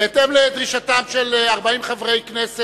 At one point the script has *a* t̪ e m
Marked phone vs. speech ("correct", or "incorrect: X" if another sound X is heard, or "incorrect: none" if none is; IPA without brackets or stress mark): incorrect: e